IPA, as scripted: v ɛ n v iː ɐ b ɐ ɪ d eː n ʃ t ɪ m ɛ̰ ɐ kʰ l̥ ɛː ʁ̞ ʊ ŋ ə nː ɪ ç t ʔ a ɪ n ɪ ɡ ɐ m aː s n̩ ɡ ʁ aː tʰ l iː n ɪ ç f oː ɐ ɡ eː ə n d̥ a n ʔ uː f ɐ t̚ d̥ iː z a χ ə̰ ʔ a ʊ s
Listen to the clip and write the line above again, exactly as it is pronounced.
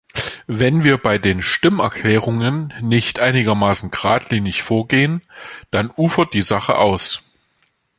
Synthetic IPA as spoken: v ɛ n v iː ɐ b a ɪ d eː n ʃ t ɪ m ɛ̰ ɐ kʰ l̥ ɛː ʁ̞ ʊ ŋ ə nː ɪ ç t ʔ a ɪ n ɪ ɡ ɐ m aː s n̩ ɡ ʁ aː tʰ l iː n ɪ ç f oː ɐ ɡ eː ə n d̥ a n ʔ uː f ɐ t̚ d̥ iː z a χ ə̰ ʔ a ʊ s